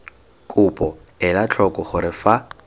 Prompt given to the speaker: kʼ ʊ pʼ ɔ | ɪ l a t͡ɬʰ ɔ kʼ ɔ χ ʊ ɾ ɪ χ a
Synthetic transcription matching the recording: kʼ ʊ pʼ ɔ | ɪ l a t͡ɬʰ ɔ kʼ ɔ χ ʊ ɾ ɪ f a